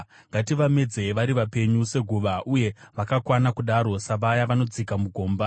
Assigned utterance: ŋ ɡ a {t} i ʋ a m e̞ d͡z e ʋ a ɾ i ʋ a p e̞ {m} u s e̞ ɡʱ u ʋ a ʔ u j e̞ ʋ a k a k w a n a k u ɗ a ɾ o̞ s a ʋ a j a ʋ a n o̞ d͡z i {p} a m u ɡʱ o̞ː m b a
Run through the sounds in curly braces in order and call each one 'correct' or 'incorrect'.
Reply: correct, incorrect: ɲ, incorrect: k

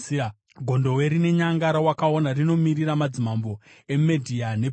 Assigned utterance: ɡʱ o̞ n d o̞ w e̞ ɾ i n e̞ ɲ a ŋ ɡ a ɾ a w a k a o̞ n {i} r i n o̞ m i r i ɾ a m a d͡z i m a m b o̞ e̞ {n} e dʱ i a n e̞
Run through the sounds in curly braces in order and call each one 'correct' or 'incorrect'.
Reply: incorrect: a, incorrect: m

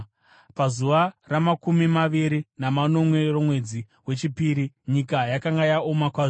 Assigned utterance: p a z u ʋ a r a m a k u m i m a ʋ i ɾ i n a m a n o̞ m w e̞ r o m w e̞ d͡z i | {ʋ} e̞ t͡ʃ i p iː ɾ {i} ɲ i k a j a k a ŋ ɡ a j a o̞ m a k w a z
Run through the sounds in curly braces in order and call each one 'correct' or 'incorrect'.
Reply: incorrect: w, correct

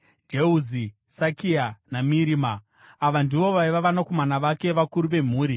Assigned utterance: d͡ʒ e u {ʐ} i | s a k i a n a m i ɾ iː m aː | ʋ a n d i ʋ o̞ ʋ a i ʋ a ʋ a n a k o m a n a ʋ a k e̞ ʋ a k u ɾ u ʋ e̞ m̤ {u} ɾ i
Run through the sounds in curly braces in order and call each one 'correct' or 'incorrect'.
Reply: incorrect: z, incorrect: uː

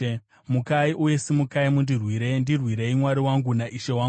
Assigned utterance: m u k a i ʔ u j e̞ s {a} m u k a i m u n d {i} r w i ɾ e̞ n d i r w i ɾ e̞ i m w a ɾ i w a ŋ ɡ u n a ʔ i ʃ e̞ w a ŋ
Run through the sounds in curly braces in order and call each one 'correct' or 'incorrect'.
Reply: incorrect: i, correct

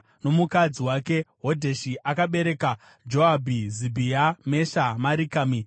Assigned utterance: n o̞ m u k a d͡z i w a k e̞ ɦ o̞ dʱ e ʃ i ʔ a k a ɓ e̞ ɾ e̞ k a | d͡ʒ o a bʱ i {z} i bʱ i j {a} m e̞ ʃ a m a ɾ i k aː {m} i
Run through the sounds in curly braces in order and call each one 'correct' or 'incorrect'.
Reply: correct, correct, correct

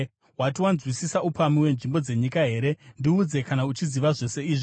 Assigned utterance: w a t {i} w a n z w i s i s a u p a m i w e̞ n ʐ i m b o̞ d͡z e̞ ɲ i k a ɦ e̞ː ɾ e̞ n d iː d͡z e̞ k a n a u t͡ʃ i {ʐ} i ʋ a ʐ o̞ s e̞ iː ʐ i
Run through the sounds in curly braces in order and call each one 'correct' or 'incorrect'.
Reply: correct, incorrect: z

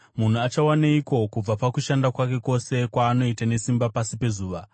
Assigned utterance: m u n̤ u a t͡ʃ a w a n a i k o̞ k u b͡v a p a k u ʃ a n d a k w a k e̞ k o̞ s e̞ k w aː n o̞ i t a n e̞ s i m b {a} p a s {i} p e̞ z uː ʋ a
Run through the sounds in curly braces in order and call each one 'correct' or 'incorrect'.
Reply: correct, correct

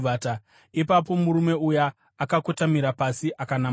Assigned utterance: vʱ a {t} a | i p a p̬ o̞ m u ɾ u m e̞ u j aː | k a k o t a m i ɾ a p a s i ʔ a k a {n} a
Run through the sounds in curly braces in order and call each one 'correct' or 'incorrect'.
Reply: correct, correct

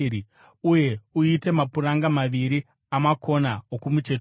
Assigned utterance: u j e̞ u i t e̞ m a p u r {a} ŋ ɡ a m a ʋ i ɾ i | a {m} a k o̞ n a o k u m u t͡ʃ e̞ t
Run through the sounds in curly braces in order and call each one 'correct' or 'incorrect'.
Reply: correct, correct

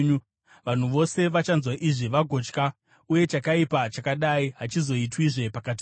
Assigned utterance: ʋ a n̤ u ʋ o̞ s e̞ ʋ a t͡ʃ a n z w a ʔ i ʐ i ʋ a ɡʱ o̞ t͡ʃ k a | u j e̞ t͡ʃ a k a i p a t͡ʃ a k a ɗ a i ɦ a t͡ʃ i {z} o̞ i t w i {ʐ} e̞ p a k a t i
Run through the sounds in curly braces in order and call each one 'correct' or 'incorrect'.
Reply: correct, correct

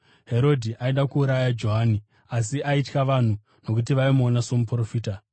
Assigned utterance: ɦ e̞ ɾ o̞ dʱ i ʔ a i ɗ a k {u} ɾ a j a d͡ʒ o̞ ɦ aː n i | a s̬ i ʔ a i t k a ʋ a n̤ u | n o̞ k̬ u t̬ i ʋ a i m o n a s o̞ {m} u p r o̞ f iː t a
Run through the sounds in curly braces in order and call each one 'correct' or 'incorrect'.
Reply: incorrect: uː, correct

